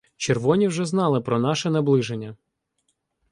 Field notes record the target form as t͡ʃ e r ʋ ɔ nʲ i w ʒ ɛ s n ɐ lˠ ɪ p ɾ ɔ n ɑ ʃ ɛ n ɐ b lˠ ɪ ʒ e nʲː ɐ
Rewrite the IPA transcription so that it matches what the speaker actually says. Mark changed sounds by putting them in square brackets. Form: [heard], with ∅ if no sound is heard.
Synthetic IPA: t͡ʃ e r ʋ ɔ nʲ i w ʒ ɛ [z] n [ɑ] lˠ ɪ p ɾ ɔ n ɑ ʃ ɛ n ɐ b lˠ ɪ ʒ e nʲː ɐ